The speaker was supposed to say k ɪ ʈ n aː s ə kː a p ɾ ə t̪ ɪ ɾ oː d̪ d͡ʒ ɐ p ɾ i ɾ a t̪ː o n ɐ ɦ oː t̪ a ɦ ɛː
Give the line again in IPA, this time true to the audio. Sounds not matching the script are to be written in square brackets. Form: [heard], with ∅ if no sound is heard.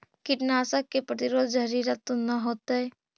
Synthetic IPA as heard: k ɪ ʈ n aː s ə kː [e] p ɾ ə t̪ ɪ ɾ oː d̪ d͡ʒ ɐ [∅] ɾ i ɾ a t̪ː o n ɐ ɦ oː t̪ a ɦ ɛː